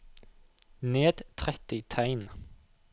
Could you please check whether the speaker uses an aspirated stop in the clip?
yes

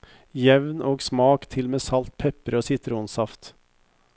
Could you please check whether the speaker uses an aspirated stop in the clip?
yes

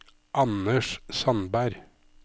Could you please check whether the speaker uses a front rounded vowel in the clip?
no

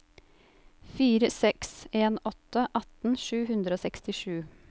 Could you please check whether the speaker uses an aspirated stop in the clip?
no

